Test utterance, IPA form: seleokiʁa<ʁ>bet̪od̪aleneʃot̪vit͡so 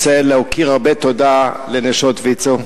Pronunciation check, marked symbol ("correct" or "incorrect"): correct